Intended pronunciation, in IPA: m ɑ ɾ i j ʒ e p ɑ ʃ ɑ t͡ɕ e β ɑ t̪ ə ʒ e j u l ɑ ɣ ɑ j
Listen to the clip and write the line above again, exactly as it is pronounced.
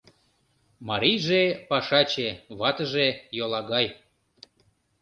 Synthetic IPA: m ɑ ɾ i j ʒ e p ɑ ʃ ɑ t͡ɕ e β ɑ t̪ ə ʒ e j o l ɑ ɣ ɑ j